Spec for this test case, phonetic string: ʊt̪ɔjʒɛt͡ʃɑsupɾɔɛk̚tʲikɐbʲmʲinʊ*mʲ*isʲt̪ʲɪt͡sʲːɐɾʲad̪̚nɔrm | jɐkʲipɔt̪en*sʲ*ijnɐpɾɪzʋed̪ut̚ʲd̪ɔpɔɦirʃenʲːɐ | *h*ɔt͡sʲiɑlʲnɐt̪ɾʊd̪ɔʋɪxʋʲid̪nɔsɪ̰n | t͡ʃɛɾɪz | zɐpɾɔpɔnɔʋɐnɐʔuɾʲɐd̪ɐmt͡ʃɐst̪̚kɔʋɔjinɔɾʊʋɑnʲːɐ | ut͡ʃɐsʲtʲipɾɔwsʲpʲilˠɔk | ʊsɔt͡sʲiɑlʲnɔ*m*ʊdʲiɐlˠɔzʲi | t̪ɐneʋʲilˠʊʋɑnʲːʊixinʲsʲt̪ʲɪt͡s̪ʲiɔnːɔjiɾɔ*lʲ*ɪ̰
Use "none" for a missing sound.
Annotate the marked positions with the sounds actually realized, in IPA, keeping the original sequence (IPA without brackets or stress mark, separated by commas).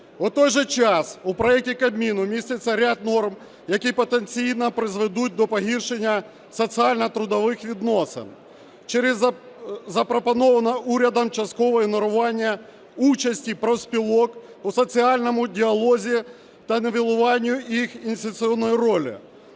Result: mʲ, t͡sʲ, s, m, lʲ